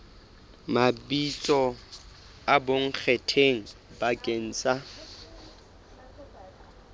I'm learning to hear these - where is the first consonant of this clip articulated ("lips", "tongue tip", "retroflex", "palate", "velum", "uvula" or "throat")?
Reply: lips